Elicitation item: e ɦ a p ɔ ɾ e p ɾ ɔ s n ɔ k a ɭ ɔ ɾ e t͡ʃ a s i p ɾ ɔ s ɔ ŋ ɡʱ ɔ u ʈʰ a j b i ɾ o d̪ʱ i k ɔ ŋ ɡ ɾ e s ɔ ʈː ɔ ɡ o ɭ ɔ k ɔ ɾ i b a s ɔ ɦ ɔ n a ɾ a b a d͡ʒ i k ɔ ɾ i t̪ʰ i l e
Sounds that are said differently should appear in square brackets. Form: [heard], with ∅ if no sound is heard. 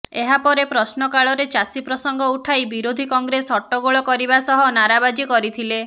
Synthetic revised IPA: e ɦ a p ɔ ɾ e p ɾ ɔ s n ɔ k a ɭ ɔ ɾ e t͡ʃ a s i p ɾ ɔ s ɔ ŋ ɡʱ ɔ u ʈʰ a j b i ɾ o d̪ʱ i k ɔ ŋ ɡ ɾ e s ɔ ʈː ɔ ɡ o ɭ ɔ k ɔ ɾ i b a s ɔ ɦ ɔ n a ɾ a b a d͡ʒ i k ɔ ɾ i t̪ʰ i l e